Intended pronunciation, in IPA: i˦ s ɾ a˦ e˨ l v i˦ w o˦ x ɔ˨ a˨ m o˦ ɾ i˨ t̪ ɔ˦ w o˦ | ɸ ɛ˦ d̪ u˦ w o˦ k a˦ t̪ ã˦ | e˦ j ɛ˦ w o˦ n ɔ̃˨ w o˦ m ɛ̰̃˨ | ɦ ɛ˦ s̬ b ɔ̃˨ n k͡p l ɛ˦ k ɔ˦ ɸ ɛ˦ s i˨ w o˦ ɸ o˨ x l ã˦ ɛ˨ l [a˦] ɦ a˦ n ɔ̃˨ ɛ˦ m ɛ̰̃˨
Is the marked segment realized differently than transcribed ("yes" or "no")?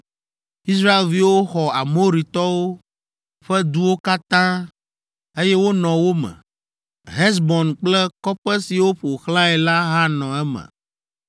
no